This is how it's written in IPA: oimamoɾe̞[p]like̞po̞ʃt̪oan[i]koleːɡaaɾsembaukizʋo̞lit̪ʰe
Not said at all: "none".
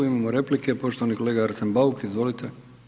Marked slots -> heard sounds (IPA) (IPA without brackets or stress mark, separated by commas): p, i